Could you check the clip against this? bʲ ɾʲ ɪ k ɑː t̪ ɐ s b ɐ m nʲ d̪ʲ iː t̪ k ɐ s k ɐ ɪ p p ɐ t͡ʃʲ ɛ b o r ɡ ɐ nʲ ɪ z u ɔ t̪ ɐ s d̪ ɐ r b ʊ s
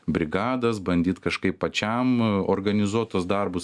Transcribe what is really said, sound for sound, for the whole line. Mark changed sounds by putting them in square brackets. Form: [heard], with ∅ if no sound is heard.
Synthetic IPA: bʲ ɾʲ ɪ [ɡ] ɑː [d̪] ɐ s b ɐ [∅] nʲ d̪ʲ iː t̪ k ɐ [ʃ] k ɐ ɪ p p ɐ t͡ʃʲ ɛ [m] o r ɡ ɐ nʲ ɪ z u ɔ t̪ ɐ s d̪ ɐ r b ʊ s